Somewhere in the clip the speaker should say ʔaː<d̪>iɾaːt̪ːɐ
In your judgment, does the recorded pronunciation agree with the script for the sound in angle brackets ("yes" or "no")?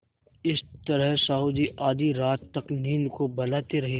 yes